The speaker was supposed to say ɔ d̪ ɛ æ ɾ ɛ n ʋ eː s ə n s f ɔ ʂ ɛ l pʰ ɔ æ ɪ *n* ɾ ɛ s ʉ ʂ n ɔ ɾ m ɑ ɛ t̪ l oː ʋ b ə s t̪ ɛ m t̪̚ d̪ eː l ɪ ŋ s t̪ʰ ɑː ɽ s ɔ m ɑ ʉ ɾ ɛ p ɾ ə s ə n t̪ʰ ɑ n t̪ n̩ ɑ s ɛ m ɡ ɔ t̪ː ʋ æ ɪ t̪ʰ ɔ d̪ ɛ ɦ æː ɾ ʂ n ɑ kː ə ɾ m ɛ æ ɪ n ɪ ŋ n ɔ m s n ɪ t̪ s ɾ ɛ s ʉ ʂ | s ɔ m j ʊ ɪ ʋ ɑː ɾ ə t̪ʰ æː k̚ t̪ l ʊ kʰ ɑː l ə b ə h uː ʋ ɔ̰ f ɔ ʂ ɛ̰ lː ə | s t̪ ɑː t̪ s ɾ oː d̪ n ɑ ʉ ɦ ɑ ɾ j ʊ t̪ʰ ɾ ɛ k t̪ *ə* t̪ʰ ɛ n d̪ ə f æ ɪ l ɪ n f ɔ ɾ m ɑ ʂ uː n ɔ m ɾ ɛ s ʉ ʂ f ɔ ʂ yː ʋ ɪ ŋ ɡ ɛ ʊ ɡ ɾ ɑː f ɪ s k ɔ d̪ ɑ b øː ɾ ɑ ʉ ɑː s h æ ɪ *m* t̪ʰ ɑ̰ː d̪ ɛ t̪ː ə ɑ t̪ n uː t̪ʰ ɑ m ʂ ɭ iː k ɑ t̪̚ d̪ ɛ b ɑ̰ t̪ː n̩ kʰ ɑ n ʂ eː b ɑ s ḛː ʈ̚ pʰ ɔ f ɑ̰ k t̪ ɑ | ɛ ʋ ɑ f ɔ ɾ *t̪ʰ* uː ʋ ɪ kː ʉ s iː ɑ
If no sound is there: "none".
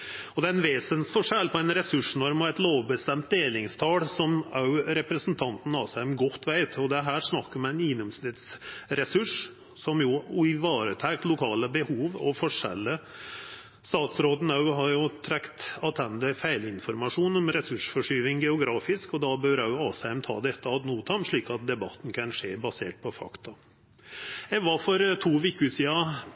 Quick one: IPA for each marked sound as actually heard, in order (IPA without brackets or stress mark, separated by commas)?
n, ɑ, m, t̪ʰ